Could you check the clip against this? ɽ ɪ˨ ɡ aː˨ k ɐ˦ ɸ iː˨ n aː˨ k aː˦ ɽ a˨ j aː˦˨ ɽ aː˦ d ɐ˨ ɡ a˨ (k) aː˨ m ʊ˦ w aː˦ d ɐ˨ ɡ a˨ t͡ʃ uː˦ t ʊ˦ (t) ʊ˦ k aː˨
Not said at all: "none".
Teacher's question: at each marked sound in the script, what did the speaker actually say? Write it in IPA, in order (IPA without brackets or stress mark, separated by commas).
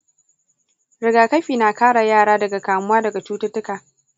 k, t